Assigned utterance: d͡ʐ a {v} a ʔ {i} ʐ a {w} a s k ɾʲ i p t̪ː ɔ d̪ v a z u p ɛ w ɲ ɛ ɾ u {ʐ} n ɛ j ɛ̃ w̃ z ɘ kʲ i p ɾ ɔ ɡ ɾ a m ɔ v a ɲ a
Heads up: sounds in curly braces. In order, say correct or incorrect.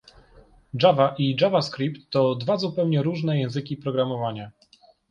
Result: correct, correct, incorrect: v, correct

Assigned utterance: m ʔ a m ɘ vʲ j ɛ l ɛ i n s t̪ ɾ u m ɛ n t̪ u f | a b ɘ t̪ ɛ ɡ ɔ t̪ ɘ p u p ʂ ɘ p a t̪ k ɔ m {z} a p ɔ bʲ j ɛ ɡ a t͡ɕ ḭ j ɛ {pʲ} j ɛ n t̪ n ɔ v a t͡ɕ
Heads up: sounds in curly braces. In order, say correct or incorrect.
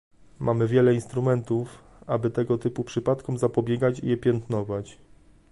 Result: correct, correct

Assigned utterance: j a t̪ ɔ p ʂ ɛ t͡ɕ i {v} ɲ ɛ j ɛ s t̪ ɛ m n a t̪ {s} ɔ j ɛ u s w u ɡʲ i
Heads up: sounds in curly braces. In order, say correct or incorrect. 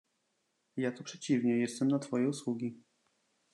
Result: correct, incorrect: f

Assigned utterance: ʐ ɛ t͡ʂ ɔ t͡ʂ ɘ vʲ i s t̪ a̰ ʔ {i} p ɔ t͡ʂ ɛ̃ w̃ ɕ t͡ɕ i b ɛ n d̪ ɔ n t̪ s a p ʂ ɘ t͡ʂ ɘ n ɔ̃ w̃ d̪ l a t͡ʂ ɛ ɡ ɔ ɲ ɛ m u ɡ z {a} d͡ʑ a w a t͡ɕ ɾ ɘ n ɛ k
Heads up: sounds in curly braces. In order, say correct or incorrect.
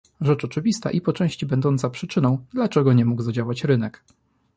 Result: correct, correct

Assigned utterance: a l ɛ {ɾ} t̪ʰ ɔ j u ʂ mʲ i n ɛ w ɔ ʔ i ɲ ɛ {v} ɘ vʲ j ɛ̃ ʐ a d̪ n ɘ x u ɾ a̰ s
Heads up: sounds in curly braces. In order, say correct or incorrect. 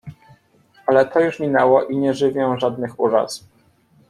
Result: incorrect: none, incorrect: ʐ

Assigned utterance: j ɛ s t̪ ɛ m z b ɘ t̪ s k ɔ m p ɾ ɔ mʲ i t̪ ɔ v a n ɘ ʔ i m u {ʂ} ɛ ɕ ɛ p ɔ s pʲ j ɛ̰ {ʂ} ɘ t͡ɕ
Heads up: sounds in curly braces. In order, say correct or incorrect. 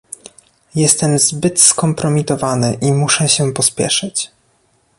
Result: correct, correct

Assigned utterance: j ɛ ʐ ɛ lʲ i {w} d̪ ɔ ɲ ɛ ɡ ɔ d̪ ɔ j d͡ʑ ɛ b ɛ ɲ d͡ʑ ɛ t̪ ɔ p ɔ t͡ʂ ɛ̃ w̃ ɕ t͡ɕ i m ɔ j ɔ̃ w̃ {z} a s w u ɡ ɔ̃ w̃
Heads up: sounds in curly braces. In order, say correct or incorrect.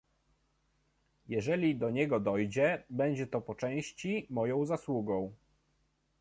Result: incorrect: none, correct

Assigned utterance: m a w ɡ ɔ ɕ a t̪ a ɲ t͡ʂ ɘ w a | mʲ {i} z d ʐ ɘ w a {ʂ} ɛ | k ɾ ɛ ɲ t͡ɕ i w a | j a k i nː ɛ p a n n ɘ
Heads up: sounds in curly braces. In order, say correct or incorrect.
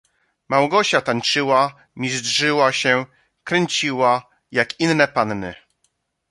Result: correct, incorrect: ɕ

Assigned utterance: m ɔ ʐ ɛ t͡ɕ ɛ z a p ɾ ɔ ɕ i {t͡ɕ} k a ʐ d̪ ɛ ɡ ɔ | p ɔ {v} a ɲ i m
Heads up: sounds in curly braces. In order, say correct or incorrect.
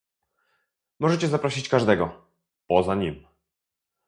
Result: correct, incorrect: z

